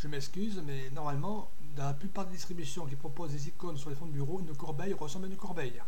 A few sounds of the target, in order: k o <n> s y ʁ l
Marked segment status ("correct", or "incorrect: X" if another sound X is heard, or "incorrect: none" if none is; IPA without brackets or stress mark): correct